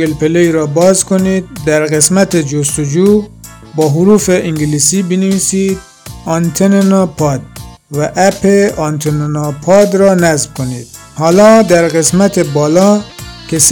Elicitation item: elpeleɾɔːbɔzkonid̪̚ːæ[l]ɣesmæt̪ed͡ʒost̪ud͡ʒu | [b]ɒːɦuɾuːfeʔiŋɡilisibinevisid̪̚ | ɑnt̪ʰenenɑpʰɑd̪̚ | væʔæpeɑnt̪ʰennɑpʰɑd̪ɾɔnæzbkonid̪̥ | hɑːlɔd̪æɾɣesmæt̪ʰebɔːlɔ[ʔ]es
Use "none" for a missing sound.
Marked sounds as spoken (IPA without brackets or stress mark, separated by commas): ɾ, b, k